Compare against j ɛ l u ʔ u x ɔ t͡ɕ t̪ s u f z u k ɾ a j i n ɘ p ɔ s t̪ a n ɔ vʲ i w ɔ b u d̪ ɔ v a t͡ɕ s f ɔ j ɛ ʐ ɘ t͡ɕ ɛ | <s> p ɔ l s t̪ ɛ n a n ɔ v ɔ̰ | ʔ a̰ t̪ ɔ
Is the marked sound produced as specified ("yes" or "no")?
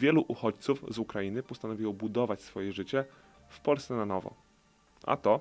no